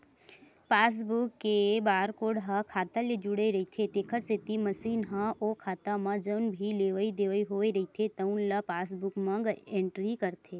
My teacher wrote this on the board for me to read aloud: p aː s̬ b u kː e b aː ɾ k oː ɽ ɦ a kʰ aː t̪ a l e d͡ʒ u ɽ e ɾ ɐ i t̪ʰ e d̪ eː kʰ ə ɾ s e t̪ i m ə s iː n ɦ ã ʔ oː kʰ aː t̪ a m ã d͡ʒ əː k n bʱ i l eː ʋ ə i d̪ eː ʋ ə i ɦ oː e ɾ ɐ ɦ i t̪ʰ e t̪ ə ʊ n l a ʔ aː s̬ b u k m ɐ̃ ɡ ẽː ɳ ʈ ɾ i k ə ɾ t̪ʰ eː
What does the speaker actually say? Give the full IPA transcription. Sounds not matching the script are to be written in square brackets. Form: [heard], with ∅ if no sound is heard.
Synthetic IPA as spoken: p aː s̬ b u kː e b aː ɾ k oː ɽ ɦ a kʰ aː t̪ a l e d͡ʒ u ɽ e ɾ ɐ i t̪ʰ e [t̪] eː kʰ ə ɾ s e t̪ i m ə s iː n ɦ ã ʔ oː kʰ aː t̪ a m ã d͡ʒ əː [∅] n bʱ i l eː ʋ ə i d̪ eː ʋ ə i ɦ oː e ɾ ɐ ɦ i t̪ʰ e t̪ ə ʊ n l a [p] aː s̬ b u k m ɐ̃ ɡ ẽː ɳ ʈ ɾ i k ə ɾ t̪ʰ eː

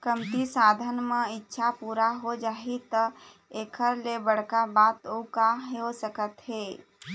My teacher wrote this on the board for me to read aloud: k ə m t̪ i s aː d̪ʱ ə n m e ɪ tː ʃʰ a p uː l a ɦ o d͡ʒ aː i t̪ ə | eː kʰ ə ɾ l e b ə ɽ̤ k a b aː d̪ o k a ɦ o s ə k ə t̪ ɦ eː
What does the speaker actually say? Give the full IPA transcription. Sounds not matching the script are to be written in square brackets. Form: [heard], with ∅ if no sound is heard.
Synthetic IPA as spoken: k ə m t̪ i s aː d̪ʱ ə n m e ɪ tː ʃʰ a p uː [ɾ] a ɦ o d͡ʒ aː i t̪ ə | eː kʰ ə ɾ l e b ə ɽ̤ k a b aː [t̪] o k a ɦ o s ə k ə t̪ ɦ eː

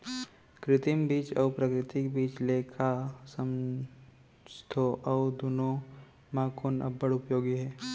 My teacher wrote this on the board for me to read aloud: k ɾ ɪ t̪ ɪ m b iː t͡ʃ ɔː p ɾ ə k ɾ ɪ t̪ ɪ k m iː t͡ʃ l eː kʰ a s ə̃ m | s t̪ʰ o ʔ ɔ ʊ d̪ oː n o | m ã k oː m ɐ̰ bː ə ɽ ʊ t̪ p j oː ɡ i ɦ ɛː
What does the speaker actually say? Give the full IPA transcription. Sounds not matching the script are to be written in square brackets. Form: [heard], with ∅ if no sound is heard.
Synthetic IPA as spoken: k ɾ ɪ t̪ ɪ m b iː t͡ʃ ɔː p ɾ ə k ɾ ɪ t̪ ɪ k [b] iː t͡ʃ l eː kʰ a s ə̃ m | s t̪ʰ o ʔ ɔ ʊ d̪ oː n o | m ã k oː [n] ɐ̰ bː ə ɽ ʊ [∅] p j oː ɡ i ɦ ɛː

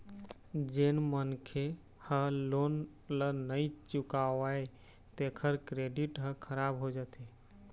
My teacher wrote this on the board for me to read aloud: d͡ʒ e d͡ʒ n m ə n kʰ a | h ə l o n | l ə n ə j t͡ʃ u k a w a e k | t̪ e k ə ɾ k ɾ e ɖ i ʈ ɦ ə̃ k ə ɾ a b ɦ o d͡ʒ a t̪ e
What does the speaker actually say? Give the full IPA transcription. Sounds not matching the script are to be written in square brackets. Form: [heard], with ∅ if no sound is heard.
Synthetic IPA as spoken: d͡ʒ e [∅] n m ə n kʰ [e] | h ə l o n | l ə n ə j t͡ʃ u k a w a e [∅] | t̪ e [kʰ] ə ɾ k ɾ e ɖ i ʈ ɦ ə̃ [kʰ] ə ɾ a b ɦ o d͡ʒ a t̪ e

